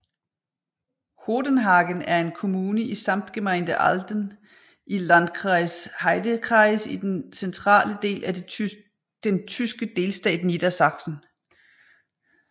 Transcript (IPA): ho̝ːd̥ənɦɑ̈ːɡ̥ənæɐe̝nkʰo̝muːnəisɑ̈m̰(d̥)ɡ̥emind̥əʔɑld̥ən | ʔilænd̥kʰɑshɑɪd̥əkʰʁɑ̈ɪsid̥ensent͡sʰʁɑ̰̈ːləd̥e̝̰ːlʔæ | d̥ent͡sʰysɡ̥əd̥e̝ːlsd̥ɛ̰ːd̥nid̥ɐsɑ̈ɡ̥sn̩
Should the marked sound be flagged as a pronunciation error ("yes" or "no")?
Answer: no